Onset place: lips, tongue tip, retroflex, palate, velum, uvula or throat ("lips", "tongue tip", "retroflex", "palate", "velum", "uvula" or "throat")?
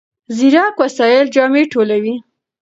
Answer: tongue tip